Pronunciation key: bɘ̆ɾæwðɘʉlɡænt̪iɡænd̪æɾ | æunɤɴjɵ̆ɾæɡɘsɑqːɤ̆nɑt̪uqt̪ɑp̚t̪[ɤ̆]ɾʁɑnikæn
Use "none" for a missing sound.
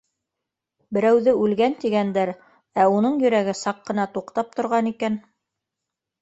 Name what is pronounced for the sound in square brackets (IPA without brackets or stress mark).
ŏ